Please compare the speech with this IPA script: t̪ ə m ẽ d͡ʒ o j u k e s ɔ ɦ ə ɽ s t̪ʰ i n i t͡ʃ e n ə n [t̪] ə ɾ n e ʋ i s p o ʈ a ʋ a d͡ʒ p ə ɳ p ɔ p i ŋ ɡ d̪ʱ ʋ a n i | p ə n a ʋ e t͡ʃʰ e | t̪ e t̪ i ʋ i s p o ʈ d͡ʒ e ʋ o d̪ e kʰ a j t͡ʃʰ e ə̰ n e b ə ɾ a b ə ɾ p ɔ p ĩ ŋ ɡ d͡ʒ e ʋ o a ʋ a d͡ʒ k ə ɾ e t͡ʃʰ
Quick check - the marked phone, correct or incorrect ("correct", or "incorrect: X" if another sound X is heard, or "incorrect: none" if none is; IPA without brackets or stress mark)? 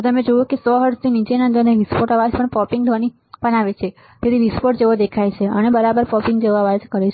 incorrect: d̪